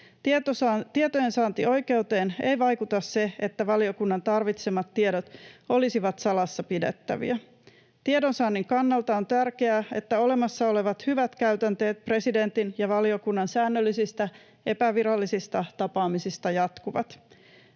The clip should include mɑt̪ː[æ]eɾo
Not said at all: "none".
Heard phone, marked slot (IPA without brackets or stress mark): i